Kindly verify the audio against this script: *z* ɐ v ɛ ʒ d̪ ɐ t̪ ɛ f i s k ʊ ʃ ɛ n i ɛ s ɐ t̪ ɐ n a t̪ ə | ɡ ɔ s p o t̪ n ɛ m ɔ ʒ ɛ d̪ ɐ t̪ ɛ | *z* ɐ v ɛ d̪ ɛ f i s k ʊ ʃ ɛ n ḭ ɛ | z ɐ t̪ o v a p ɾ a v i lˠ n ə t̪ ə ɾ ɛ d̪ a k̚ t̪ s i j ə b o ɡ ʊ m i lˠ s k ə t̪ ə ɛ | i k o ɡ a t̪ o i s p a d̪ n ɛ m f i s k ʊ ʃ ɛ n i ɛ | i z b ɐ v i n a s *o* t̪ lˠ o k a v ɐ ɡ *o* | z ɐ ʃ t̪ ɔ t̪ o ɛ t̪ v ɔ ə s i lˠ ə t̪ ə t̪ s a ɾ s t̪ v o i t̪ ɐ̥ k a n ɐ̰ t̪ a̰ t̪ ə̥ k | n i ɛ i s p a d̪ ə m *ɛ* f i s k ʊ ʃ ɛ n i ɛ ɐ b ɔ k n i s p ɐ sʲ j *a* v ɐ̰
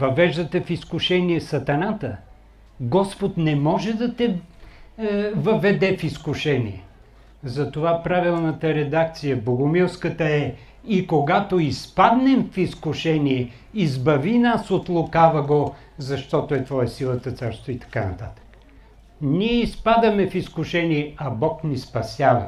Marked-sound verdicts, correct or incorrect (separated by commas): incorrect, incorrect, correct, correct, correct, correct